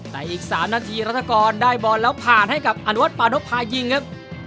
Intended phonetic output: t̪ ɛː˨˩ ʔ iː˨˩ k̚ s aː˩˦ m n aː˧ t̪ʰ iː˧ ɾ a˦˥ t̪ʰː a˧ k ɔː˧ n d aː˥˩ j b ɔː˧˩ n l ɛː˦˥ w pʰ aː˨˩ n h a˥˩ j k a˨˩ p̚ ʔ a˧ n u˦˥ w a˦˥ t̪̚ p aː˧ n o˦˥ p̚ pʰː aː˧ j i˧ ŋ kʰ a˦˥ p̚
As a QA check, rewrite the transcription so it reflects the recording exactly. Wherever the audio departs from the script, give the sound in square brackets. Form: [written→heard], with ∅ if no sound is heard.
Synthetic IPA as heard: t̪ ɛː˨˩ ʔ iː˨˩ k̚ s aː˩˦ m n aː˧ t̪ʰ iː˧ ɾ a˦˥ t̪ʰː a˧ k ɔː˧ n d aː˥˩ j b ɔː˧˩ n l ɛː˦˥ w pʰ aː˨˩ n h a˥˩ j k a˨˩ p̚ ʔ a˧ n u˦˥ w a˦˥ t̪̚ p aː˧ n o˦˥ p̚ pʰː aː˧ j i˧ ŋ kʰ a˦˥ p̚